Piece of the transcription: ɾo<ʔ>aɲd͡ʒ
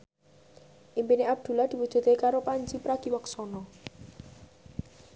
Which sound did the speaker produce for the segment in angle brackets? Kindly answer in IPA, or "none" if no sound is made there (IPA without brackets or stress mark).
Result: p